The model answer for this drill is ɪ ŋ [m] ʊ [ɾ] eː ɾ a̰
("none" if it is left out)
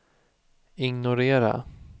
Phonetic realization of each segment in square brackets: n, ɾ

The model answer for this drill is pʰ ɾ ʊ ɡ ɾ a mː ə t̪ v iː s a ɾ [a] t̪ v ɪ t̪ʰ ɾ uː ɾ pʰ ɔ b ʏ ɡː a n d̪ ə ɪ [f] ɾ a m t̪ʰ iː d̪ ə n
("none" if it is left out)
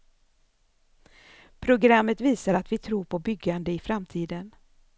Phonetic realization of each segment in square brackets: a, f

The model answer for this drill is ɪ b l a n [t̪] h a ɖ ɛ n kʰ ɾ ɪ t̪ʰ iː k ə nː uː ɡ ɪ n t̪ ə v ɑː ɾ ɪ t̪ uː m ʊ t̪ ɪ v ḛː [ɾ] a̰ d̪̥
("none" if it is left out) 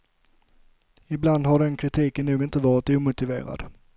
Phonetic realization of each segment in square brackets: d̪, ɾ

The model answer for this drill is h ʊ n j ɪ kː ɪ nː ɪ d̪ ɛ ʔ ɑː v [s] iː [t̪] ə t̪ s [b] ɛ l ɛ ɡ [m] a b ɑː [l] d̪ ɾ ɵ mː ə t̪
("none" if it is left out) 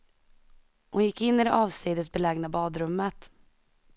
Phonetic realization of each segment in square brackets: s, d̪, b, n, none

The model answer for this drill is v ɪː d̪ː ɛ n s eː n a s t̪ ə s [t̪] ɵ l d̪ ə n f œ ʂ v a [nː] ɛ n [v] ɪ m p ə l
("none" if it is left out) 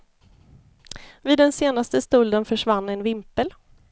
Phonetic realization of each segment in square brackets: t̪, nː, v

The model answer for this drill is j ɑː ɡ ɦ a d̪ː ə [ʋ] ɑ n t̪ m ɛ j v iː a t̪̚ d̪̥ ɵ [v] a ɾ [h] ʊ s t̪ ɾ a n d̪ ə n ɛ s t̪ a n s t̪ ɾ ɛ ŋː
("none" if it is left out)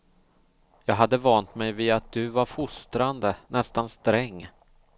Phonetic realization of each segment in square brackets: v, v, f

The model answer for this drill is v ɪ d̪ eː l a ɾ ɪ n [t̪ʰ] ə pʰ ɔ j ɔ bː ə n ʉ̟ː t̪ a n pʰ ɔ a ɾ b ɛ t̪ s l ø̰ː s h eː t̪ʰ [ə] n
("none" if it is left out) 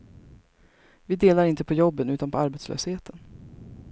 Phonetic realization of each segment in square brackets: t̪, ə

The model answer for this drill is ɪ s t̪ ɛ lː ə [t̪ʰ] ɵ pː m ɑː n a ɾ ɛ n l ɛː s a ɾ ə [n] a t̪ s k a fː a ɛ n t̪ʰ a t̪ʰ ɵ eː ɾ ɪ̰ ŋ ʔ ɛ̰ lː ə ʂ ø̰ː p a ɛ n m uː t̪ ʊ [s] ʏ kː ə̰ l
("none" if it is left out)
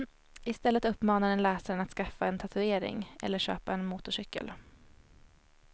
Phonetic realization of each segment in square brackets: t̪, n, ʂ

